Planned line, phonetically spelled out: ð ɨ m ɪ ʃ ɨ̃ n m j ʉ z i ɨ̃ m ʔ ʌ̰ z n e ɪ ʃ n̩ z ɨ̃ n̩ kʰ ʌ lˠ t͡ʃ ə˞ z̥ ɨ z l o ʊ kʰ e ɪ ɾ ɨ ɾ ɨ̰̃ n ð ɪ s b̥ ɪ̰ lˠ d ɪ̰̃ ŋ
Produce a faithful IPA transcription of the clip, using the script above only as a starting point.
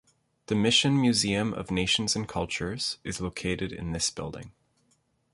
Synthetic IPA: ð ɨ m ɪ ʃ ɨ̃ n m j ʉ z i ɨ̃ m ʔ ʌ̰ v n e ɪ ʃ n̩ z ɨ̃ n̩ kʰ ʌ lˠ t͡ʃ ə˞ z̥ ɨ z l o ʊ kʰ e ɪ ɾ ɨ ɾ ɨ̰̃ n ð ɪ s b̥ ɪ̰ lˠ d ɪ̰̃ ŋ